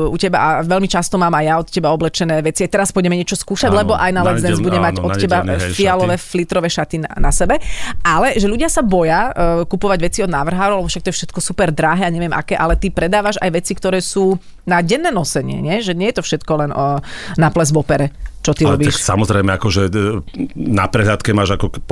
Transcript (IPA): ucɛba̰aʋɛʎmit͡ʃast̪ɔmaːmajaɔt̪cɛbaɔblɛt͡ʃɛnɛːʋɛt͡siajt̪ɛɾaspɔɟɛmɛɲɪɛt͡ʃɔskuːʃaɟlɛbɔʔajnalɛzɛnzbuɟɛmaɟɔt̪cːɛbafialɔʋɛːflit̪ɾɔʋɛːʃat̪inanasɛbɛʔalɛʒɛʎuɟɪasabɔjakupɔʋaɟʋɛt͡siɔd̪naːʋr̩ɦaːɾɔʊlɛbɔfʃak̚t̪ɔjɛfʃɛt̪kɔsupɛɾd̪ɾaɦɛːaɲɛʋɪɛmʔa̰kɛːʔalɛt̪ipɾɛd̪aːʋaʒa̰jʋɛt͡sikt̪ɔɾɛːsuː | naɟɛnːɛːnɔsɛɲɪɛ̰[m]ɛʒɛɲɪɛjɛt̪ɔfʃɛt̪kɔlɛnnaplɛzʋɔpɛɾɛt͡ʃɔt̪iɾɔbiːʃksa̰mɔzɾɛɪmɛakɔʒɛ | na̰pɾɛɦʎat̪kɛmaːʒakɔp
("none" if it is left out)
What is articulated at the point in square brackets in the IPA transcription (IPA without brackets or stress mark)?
ɲ